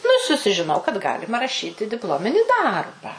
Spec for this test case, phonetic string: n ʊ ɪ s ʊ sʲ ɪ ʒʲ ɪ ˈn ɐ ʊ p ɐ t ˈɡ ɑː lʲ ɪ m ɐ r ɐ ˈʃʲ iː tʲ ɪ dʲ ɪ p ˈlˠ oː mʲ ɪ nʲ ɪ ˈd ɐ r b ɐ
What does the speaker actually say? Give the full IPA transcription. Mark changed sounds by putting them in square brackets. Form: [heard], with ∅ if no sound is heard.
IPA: n ʊ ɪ s ʊ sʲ ɪ ʒʲ ɪ ˈn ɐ ʊ [k] ɐ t ˈɡ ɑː lʲ ɪ m ɐ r ɐ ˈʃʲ iː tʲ ɪ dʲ ɪ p ˈlˠ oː mʲ ɪ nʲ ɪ ˈd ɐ r b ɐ